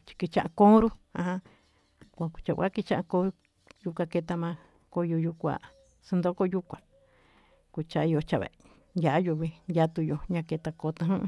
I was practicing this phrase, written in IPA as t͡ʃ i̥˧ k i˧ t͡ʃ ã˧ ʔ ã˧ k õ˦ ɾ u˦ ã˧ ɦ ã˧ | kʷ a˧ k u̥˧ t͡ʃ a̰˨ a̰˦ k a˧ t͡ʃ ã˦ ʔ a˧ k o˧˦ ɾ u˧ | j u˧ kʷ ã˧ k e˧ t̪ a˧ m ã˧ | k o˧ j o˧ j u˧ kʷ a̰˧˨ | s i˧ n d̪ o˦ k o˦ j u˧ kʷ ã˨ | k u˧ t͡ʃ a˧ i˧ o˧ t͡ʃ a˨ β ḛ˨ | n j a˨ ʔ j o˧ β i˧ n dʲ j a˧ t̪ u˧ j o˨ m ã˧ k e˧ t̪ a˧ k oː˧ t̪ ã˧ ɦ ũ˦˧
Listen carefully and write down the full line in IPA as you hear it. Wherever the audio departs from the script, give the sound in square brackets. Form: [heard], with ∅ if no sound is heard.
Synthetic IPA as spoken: t͡ʃ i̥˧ k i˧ t͡ʃ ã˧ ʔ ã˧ k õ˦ ɾ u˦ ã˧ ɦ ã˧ | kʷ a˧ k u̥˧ t͡ʃ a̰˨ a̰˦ k [i˧] t͡ʃ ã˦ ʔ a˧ k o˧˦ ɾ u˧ | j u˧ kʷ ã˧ k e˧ t̪ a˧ m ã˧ | k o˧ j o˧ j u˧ kʷ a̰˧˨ | s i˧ n d̪ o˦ k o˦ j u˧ kʷ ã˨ | k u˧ t͡ʃ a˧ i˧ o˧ t͡ʃ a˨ β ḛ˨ | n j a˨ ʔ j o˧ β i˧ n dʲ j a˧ t̪ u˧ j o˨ [ɲ] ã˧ k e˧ t̪ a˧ k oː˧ t̪ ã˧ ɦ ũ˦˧

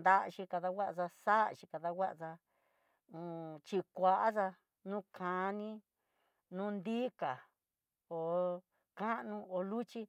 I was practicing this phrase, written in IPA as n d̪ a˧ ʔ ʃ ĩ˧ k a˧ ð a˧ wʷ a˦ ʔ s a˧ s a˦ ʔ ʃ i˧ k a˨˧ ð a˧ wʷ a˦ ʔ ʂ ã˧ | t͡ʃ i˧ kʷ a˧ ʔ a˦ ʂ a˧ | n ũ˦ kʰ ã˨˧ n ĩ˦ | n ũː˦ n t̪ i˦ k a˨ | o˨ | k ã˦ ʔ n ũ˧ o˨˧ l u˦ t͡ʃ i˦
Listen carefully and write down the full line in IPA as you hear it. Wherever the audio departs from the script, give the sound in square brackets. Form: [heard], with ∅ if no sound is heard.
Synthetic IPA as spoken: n d̪ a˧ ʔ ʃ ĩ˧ k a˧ ð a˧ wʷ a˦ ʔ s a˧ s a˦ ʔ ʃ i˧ k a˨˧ ð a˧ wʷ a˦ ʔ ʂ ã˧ | t͡ʃ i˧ kʷ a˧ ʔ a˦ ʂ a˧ | n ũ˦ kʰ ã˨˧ n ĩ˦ | n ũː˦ n [d̪] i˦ k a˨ | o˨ | k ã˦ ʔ n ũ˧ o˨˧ l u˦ t͡ʃ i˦

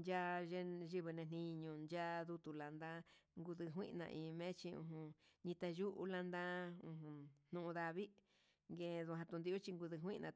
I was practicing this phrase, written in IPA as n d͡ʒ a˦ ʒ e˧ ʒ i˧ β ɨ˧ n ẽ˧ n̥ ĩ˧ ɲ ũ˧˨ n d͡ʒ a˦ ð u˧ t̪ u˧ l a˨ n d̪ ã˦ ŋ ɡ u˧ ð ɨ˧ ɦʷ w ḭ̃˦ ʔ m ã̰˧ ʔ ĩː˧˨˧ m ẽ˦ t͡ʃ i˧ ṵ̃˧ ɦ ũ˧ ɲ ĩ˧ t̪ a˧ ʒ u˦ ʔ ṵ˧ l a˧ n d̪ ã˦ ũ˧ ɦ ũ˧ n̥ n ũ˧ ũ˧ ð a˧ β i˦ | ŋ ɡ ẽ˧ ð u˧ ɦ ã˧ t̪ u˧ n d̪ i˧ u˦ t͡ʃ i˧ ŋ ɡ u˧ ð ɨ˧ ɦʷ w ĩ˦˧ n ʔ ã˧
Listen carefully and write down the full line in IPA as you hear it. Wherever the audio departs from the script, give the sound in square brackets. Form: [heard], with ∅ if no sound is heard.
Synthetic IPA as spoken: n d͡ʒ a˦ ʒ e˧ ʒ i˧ β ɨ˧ n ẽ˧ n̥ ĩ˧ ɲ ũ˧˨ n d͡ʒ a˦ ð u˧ t̪ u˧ l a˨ n d̪ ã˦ ŋ ɡ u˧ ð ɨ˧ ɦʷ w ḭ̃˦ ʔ [n] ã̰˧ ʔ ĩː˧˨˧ m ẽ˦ t͡ʃ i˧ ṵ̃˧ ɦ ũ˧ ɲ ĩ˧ t̪ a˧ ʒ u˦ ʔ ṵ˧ l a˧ n d̪ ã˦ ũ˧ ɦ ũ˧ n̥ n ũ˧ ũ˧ ð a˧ β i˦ | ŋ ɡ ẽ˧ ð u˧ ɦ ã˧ t̪ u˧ n d̪ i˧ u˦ t͡ʃ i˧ ŋ ɡ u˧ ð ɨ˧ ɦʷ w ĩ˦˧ n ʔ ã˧

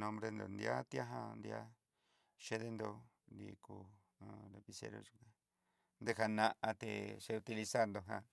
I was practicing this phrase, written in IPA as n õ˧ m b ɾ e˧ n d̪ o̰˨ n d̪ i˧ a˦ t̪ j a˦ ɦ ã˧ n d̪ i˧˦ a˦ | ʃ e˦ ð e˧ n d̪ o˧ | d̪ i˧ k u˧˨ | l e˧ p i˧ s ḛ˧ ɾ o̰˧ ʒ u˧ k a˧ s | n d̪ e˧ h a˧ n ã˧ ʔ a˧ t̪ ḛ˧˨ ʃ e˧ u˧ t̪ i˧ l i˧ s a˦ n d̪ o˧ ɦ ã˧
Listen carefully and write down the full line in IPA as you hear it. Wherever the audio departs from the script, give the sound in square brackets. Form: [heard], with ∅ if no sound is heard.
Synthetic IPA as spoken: n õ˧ m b ɾ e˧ n d̪ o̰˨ n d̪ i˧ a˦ t̪ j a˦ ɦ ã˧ n d̪ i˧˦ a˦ | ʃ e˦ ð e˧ n d̪ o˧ | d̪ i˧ k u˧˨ | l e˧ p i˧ s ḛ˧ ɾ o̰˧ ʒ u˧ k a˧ [∅] | n d̪ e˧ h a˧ n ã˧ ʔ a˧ t̪ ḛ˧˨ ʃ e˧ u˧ t̪ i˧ l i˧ s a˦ n d̪ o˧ ɦ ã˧

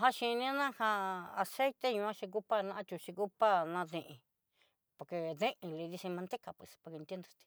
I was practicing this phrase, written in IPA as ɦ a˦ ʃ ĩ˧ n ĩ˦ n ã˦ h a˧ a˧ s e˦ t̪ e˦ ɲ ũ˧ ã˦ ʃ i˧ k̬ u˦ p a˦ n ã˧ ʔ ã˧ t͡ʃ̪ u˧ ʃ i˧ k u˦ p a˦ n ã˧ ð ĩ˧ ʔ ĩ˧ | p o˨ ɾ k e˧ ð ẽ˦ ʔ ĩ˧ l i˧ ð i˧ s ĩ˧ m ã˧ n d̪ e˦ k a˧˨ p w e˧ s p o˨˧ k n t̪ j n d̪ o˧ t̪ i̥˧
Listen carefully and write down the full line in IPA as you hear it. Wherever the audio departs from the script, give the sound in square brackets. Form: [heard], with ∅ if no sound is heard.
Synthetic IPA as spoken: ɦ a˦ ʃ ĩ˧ n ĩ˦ n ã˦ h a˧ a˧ s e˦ t̪ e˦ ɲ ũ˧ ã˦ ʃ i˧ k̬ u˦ p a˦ n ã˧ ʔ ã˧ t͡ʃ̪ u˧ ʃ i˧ k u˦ p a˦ n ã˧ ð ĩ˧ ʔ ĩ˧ | p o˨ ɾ k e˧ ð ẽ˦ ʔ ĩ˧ l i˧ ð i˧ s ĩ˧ m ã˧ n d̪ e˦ k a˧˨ p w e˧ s p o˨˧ k n t̪ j n d̪ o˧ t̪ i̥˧

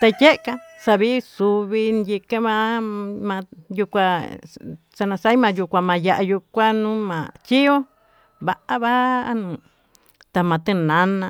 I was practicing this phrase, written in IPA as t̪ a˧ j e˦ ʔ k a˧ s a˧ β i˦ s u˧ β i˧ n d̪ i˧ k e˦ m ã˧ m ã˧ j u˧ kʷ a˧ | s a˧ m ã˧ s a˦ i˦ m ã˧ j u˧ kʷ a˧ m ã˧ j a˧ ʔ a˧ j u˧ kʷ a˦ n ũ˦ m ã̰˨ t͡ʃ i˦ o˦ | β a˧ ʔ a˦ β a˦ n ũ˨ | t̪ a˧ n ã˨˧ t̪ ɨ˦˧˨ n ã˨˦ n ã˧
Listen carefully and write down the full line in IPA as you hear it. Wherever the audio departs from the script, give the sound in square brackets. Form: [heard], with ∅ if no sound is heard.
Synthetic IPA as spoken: t̪ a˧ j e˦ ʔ k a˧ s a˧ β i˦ s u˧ β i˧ n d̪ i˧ k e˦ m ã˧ m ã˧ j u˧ kʷ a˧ | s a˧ [n] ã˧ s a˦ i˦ m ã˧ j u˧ kʷ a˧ m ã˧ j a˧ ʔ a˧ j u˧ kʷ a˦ n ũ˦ m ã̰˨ t͡ʃ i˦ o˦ | β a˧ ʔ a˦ β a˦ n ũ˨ | t̪ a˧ [m] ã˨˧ t̪ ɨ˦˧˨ n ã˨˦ n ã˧

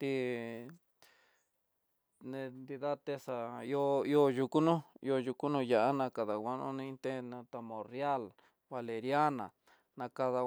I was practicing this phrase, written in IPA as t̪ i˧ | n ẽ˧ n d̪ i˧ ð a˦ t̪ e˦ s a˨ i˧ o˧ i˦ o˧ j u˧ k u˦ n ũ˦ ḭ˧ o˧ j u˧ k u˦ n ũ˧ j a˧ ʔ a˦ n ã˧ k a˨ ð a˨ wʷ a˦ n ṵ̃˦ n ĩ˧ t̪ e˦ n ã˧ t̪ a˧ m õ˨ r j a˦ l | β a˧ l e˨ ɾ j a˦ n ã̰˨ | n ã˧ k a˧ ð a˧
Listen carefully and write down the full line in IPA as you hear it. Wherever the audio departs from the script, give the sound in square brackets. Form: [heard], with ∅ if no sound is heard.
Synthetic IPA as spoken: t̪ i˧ | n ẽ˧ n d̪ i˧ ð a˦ t̪ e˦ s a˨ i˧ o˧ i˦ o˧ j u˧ k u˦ n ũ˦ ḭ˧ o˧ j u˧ k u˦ n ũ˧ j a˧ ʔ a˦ n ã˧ k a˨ ð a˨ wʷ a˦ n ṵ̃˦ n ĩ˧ t̪ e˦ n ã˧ t̪ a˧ m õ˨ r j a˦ l | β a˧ l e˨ ɾ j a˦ n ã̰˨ | n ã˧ k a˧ ð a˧

